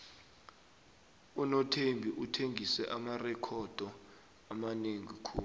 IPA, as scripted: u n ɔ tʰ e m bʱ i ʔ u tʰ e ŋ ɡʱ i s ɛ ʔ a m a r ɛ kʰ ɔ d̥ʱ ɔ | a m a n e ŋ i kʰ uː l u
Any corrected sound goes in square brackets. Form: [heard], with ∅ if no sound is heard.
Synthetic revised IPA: u n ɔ tʰ e m bʱ i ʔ u tʰ e ŋ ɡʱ i s ɛ ʔ a m a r ɛ kʰ ɔ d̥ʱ ɔ | a m a n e ŋ i kʰ uː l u